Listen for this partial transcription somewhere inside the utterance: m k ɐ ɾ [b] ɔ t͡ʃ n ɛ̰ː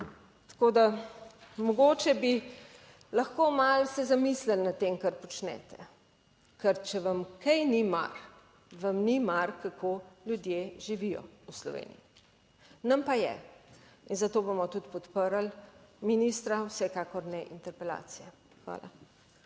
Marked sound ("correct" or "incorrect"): incorrect